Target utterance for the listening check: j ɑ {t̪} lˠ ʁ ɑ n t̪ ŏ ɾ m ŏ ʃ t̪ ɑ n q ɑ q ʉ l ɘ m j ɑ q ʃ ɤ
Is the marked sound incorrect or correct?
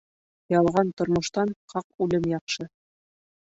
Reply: incorrect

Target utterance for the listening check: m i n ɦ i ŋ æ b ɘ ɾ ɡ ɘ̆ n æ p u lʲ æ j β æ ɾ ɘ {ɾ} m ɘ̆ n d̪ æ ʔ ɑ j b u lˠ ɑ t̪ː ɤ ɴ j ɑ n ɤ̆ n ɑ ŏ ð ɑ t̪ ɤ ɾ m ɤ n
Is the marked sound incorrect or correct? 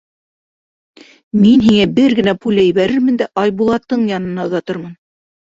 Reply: correct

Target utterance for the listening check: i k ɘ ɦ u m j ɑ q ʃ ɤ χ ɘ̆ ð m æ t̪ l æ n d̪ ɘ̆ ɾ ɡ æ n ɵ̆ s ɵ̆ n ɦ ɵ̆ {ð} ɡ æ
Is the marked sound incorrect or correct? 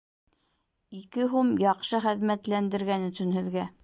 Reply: correct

